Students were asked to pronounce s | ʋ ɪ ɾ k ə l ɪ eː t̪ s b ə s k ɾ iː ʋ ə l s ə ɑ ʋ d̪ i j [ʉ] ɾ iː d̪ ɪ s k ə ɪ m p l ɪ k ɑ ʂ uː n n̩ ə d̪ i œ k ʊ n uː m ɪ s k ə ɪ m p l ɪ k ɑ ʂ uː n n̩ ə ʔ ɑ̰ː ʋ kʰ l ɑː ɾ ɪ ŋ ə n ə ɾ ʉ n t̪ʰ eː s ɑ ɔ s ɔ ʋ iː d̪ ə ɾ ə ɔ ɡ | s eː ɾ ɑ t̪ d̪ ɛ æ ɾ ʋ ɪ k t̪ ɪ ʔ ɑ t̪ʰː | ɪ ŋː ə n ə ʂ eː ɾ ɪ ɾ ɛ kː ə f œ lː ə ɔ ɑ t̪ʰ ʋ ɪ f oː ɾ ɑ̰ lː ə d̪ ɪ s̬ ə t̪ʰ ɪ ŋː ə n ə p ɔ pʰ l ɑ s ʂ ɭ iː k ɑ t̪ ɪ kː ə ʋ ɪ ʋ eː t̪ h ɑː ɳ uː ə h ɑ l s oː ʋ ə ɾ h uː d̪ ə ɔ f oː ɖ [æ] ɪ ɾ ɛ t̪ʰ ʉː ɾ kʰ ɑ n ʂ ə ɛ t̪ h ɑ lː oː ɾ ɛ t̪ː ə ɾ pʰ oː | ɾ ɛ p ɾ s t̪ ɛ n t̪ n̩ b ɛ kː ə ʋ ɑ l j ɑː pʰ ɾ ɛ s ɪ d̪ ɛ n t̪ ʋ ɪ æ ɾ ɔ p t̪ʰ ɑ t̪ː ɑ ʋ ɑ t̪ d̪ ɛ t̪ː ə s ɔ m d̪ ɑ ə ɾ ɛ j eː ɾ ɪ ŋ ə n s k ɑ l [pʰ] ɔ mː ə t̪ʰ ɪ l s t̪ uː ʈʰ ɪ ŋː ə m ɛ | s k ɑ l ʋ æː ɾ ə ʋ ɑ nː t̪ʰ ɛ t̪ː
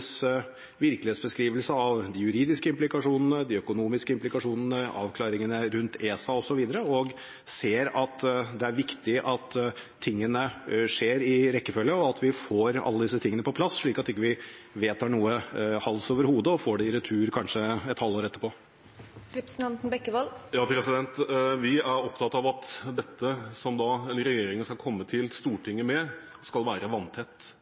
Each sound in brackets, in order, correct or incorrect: correct, incorrect: ɛ, incorrect: kʰ

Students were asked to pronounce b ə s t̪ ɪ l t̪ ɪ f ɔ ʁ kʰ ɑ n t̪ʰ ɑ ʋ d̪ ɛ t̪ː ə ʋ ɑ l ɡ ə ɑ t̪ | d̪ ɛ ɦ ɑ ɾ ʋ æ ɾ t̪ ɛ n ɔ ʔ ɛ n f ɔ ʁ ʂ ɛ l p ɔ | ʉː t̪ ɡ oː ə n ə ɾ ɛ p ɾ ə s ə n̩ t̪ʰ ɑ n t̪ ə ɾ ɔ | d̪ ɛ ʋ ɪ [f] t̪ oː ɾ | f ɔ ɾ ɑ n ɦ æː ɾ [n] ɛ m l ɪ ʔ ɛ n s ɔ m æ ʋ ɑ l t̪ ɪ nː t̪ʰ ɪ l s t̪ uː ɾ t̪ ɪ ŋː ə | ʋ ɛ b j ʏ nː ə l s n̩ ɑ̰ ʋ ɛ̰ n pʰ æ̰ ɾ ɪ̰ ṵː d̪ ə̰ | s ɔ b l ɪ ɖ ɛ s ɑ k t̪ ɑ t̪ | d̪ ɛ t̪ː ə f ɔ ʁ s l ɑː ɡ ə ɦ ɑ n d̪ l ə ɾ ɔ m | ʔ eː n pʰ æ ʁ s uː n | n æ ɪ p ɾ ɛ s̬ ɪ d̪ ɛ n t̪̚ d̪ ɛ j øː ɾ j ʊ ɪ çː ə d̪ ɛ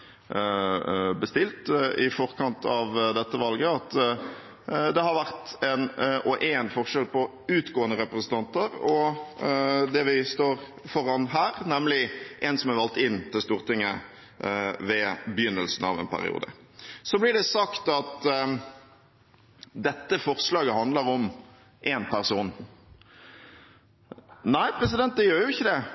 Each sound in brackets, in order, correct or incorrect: incorrect: s, correct

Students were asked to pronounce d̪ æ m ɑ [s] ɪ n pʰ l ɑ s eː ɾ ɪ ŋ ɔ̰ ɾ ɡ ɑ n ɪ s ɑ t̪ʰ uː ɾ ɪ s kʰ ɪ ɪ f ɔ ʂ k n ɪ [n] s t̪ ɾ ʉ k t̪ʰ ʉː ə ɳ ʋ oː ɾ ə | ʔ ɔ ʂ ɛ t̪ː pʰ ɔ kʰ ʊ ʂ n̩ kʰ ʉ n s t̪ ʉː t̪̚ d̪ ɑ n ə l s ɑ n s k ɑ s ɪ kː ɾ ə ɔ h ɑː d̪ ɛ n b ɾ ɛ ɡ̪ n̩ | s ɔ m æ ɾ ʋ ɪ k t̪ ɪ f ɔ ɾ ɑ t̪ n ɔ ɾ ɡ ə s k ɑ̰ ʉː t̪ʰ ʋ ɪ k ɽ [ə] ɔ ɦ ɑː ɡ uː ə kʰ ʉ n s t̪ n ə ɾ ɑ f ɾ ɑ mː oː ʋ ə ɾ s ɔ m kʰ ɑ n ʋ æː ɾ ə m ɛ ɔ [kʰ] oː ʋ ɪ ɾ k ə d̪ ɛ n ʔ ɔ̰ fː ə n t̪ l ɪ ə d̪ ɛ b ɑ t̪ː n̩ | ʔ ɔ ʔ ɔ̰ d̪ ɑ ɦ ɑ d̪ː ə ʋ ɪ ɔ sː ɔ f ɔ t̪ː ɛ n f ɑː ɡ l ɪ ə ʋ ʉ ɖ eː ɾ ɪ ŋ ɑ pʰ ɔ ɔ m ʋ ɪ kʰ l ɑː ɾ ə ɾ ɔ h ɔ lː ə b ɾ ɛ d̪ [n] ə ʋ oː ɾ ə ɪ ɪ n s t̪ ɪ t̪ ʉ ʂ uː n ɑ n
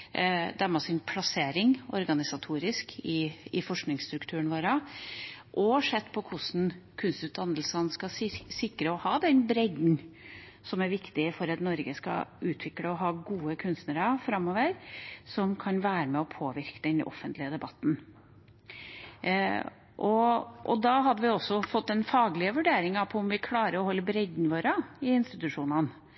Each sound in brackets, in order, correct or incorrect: correct, incorrect: ŋ, correct, incorrect: pʰ, correct

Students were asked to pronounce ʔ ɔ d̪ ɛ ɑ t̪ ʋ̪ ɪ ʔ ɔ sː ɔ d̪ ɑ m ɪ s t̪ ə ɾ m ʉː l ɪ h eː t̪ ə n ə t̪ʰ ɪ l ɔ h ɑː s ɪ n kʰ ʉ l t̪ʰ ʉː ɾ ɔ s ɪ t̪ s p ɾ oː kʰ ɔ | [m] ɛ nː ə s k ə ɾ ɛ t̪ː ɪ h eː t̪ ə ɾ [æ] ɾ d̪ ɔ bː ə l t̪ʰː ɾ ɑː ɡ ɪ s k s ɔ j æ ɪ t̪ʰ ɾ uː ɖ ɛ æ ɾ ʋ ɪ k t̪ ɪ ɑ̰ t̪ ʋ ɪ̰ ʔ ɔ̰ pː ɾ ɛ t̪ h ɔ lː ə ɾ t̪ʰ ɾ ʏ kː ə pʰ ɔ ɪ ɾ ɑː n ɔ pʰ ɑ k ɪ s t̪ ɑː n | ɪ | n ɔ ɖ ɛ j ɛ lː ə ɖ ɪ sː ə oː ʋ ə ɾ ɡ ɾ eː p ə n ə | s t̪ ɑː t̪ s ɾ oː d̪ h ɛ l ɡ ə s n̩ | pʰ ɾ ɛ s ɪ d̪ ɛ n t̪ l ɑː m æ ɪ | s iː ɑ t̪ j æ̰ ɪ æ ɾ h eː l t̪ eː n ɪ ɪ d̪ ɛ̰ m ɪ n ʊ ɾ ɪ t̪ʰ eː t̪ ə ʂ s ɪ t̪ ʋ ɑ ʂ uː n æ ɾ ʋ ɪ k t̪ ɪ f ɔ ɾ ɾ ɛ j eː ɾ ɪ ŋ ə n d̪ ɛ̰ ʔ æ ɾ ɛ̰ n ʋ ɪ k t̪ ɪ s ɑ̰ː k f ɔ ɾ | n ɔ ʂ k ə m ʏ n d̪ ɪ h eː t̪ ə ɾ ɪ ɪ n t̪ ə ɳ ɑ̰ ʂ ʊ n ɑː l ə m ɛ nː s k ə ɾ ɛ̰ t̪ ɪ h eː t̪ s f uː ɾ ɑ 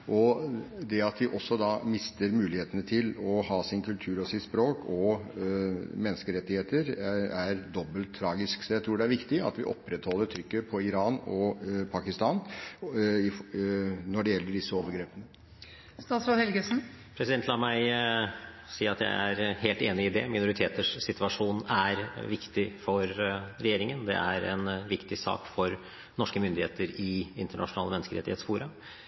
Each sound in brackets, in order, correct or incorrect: correct, correct

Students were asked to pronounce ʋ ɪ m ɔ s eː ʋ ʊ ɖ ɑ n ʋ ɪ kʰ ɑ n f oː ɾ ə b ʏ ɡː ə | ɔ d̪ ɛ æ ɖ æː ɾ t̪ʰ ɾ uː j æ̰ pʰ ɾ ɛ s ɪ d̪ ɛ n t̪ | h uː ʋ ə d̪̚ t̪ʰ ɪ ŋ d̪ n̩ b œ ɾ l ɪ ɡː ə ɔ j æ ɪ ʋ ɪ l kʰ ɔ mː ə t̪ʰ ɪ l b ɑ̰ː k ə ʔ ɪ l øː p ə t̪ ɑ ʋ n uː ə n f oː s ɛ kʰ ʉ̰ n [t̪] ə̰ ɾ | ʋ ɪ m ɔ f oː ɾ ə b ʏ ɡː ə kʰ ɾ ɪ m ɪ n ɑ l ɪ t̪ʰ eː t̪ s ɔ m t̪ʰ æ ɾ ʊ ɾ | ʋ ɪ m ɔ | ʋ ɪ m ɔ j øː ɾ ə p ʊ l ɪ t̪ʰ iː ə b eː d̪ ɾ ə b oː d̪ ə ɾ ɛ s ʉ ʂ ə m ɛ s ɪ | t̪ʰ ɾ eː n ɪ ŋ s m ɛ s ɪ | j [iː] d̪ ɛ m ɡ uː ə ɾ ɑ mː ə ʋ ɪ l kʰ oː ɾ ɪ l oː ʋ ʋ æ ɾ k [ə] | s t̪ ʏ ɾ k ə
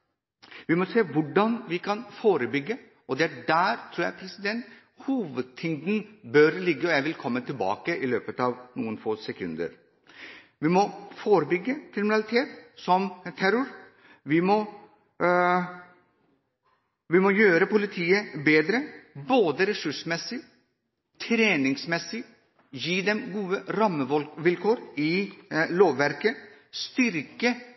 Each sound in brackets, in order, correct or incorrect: incorrect: d̪, correct, correct

